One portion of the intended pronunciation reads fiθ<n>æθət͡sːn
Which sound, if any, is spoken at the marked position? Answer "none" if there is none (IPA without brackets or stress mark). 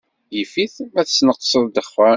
m